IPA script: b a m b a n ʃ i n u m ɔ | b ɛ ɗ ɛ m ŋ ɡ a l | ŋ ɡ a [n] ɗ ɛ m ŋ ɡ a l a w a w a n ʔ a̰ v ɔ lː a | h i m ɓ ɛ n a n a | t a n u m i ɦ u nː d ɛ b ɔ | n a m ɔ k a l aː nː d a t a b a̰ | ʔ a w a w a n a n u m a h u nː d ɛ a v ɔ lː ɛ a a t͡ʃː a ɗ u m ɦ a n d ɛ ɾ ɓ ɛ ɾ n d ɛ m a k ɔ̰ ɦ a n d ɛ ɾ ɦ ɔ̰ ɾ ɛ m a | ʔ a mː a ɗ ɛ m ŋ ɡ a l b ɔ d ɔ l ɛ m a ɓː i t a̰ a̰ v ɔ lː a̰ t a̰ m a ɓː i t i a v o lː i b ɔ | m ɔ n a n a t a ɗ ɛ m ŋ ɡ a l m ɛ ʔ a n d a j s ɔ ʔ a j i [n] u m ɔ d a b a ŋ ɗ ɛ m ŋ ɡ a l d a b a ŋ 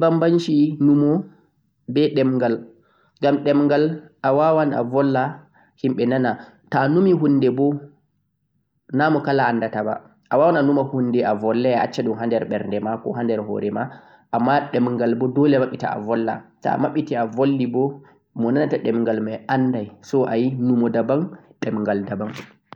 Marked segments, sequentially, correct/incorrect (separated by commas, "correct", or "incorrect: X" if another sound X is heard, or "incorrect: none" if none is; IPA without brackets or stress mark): incorrect: m, correct